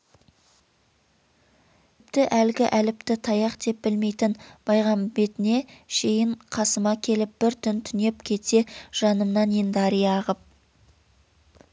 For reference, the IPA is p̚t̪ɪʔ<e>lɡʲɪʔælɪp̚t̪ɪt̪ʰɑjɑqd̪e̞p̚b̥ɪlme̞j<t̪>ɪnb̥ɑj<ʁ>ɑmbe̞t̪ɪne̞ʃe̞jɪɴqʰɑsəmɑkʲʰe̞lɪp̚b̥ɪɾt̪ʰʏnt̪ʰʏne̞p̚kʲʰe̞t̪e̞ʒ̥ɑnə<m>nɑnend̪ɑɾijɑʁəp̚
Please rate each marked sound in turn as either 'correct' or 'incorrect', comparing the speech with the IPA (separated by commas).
incorrect, correct, correct, correct